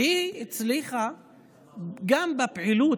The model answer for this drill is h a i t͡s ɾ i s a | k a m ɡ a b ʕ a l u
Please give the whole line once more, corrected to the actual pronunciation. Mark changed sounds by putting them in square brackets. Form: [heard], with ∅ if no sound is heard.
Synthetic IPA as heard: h [i] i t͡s [l] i [χ] a | [ɡ] a m [b] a [p] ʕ [i] l u